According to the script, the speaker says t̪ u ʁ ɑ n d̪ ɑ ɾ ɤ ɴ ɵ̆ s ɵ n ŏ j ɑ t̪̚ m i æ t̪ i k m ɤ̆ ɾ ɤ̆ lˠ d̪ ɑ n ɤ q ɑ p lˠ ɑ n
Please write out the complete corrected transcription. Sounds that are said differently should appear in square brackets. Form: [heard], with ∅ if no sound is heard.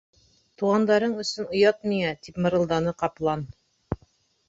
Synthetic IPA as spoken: t̪ u ʁ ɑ n d̪ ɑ ɾ ɤ ɴ ɵ̆ s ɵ n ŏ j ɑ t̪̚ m i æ t̪ i [p] m ɤ̆ ɾ ɤ̆ lˠ d̪ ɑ n ɤ q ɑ p lˠ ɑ n